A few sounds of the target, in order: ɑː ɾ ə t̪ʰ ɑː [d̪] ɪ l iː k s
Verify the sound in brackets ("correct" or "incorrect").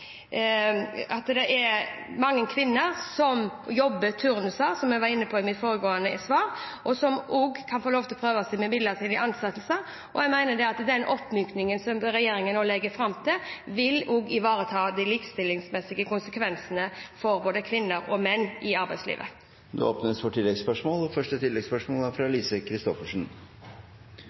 correct